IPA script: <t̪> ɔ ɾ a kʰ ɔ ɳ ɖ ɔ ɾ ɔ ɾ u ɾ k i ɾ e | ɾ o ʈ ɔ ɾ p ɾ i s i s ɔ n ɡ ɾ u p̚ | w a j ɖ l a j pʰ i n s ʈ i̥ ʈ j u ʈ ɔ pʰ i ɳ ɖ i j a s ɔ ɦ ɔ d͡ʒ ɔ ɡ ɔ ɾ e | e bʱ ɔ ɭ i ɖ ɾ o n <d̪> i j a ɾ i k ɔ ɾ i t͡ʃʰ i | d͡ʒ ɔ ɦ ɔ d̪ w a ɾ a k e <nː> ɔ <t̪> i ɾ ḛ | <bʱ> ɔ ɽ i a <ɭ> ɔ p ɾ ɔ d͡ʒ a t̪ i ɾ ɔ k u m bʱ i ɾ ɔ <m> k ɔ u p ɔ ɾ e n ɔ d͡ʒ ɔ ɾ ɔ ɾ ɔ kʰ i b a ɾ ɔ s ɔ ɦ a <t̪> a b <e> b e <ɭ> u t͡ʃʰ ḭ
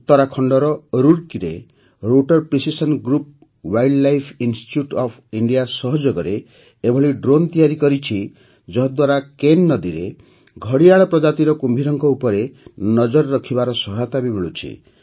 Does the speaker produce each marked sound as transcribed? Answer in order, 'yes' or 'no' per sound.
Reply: yes, no, yes, no, no, yes, no, yes, no, yes

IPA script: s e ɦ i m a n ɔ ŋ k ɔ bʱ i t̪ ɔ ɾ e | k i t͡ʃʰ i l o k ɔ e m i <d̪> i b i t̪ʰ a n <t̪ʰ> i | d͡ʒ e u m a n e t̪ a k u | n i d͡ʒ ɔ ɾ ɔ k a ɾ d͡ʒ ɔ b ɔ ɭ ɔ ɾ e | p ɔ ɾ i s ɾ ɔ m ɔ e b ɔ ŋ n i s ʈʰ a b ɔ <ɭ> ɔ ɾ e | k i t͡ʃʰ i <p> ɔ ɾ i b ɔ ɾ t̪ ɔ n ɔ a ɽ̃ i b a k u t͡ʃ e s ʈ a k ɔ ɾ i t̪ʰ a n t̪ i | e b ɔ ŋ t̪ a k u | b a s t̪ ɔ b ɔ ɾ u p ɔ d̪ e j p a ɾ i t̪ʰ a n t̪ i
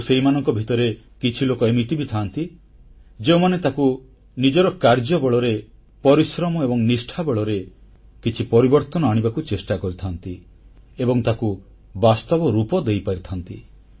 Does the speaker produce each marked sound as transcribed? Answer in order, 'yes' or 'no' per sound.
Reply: no, no, yes, yes

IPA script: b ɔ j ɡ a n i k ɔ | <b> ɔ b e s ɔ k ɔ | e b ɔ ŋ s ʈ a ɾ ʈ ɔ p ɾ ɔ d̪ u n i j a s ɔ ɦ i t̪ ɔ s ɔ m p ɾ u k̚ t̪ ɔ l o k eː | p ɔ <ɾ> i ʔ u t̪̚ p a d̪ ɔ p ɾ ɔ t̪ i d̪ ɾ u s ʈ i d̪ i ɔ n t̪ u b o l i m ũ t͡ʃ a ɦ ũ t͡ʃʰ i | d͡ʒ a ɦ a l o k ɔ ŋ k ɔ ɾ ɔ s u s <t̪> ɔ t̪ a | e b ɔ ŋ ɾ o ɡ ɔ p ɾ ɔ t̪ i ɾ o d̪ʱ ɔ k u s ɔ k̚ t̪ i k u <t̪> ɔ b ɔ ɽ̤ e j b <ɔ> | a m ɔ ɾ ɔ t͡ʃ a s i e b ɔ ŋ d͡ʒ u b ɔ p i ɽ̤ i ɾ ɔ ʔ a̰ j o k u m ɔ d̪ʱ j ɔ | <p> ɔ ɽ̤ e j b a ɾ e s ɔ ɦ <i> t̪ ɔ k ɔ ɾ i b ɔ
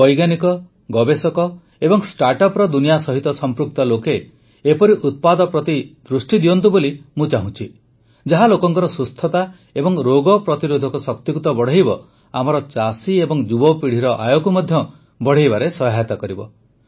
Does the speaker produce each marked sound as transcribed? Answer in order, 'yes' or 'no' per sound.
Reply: no, yes, no, yes, yes, no, no

